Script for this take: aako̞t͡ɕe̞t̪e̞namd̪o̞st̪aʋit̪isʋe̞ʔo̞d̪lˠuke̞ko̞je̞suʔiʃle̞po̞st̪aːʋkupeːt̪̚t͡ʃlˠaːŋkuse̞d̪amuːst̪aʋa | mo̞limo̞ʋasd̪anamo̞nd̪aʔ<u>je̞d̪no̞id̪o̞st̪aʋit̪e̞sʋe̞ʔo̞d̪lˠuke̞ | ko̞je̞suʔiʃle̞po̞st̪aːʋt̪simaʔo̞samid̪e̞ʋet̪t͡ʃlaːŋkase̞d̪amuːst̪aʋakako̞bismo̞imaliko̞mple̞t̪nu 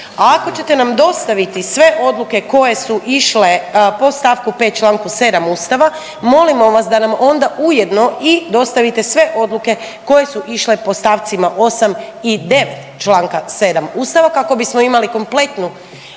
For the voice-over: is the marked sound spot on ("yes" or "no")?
yes